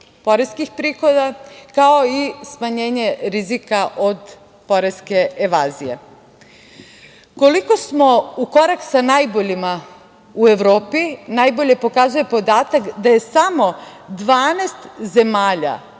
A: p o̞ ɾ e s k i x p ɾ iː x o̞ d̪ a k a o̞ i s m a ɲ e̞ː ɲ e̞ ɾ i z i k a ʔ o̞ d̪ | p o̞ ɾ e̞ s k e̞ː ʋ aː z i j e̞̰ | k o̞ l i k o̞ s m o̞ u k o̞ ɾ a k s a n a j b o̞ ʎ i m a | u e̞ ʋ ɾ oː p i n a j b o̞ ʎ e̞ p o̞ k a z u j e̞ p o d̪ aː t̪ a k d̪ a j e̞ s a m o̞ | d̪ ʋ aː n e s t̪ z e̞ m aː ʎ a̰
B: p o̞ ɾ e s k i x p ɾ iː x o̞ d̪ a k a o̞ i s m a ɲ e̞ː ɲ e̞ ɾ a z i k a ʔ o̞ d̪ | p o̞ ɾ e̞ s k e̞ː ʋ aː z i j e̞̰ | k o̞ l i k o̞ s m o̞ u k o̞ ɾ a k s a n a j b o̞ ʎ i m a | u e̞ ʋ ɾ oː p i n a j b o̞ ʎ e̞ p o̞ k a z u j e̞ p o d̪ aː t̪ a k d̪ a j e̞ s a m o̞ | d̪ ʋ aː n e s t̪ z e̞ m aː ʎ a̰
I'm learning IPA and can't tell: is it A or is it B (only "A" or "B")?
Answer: A